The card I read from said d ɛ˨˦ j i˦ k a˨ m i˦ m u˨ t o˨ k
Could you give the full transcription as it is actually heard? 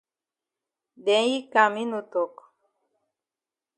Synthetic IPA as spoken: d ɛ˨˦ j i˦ k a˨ m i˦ n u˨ t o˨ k